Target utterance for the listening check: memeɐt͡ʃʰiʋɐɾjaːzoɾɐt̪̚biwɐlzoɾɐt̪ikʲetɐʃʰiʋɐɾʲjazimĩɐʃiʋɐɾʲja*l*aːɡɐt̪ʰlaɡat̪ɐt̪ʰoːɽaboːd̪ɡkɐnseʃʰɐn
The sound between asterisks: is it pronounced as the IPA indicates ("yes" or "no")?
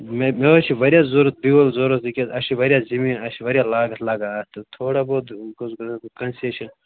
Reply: yes